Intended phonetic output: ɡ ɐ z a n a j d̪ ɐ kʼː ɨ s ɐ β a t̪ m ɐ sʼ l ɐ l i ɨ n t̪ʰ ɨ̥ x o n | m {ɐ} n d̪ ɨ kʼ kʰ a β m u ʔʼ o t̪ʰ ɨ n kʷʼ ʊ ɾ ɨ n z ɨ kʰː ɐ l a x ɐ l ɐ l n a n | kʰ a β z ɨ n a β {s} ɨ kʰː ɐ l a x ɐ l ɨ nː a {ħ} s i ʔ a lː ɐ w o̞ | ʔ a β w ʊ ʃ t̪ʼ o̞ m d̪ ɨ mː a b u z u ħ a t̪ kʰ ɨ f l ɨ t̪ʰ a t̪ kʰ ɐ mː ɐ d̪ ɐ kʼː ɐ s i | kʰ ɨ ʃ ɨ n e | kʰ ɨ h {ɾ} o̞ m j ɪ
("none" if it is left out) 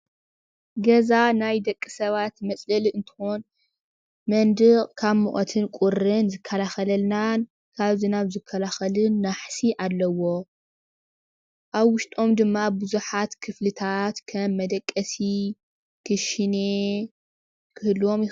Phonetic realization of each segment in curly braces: ɐ, z, ħ, l

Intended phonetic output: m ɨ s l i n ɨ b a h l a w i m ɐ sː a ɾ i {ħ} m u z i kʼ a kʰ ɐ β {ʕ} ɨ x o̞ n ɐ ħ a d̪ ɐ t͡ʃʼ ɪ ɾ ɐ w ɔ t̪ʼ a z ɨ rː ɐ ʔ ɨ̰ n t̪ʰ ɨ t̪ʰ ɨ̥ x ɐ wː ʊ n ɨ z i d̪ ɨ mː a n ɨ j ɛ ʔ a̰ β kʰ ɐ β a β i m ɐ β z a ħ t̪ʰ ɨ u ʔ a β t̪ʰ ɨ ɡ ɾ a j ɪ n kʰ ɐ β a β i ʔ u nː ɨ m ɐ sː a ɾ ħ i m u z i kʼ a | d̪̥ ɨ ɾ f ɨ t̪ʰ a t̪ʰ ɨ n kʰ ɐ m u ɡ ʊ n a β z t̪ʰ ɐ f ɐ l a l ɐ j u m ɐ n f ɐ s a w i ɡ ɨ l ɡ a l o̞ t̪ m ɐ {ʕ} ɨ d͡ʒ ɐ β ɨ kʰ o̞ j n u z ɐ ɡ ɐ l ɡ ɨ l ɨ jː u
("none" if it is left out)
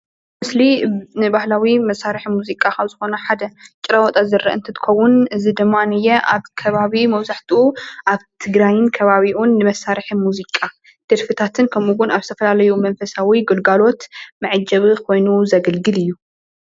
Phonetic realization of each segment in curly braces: ħ, z, ʕ

